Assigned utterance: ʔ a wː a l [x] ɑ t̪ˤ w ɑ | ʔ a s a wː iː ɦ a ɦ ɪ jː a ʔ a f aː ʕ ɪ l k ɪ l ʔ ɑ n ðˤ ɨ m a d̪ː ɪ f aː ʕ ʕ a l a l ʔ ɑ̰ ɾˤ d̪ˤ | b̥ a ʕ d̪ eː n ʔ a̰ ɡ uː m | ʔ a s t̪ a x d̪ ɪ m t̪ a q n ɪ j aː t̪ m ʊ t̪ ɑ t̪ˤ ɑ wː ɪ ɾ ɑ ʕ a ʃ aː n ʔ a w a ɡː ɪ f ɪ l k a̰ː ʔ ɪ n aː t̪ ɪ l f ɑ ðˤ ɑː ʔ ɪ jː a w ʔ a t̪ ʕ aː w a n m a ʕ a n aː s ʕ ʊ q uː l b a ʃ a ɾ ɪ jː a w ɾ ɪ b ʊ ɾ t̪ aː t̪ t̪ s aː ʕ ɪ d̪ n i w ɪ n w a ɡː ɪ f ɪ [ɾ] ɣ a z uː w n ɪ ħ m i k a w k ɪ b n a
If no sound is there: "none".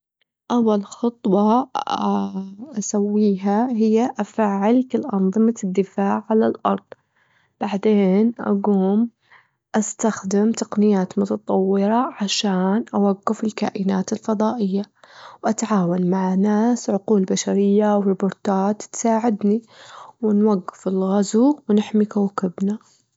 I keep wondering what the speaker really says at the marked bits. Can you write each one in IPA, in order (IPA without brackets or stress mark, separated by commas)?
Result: x, l